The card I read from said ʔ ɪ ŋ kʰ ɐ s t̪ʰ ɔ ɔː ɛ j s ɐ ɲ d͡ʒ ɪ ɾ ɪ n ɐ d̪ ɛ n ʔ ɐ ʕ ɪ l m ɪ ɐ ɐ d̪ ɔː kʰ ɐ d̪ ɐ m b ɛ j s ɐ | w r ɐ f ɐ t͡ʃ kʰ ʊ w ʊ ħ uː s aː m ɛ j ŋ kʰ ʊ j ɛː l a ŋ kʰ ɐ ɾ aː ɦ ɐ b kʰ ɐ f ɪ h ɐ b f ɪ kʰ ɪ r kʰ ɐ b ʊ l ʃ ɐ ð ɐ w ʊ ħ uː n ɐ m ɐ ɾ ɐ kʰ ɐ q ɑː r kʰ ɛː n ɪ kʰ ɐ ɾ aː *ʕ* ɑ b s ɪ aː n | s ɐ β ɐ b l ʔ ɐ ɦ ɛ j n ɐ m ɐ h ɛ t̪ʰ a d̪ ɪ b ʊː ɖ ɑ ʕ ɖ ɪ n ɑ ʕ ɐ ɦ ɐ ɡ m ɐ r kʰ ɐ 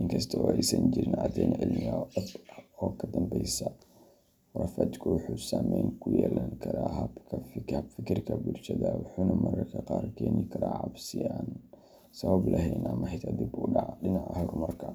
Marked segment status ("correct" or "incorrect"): correct